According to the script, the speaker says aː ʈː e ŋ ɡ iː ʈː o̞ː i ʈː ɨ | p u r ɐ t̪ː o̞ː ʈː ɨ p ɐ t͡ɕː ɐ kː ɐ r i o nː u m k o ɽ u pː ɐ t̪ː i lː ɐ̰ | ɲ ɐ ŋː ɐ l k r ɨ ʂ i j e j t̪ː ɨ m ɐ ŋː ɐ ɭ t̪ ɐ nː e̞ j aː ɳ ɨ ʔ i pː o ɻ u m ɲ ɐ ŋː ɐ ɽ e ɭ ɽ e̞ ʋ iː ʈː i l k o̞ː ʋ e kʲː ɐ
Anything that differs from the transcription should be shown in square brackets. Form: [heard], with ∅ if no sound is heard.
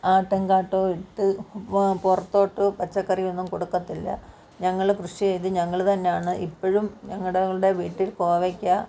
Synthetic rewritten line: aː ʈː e ŋ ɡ [aː] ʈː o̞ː i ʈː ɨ | p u r ɐ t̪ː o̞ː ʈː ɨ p ɐ t͡ɕː ɐ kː ɐ r i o nː u m k o ɽ u [kː] ɐ t̪ː i lː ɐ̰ | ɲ ɐ ŋː ɐ [ɭ] k r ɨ ʂ i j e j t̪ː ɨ [ɲ] ɐ ŋː ɐ ɭ t̪ ɐ nː e̞ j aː ɳ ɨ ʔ i pː o ɻ u m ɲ ɐ ŋː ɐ ɽ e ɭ ɽ e̞ ʋ iː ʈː i l k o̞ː ʋ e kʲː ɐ